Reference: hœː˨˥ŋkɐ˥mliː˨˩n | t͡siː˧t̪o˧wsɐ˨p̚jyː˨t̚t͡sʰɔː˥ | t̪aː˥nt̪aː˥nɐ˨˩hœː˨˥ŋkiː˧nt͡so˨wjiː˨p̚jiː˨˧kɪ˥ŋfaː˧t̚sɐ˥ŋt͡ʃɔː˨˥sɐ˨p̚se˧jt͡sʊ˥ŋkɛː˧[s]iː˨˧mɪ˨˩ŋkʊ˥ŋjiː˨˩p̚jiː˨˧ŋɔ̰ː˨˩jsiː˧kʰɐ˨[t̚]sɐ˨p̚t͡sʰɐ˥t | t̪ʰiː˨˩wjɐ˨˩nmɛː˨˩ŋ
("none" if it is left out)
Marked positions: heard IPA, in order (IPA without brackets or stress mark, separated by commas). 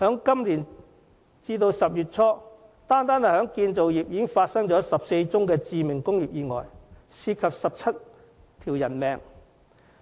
t͡s, p̚